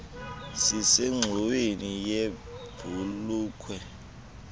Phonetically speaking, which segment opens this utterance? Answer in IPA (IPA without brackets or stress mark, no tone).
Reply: s